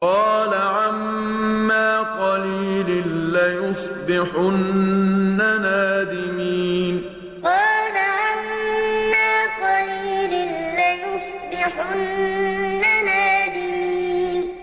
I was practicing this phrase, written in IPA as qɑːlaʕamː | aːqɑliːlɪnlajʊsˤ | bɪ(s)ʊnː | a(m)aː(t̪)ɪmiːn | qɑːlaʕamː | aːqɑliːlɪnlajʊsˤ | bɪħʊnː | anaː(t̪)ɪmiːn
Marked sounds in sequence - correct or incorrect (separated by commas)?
incorrect, incorrect, incorrect, incorrect